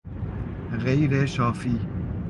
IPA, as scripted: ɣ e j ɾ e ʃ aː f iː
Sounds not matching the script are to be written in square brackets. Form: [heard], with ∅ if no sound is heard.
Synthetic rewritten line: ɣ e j ɾ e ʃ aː f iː